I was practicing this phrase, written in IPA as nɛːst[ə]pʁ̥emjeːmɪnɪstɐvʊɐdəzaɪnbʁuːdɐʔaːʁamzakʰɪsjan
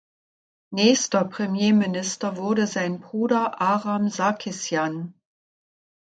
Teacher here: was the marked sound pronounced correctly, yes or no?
no